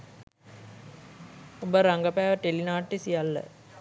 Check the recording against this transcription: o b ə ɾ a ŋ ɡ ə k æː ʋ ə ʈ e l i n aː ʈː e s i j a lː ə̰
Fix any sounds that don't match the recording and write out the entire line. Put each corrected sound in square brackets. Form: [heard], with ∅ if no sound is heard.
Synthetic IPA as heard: o b ə ɾ a ŋ ɡ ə [p] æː ʋ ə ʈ e l i n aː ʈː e s i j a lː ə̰